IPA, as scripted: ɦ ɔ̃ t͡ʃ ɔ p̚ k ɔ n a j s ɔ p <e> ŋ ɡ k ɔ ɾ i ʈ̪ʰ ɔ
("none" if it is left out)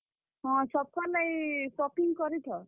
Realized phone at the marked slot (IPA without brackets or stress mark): i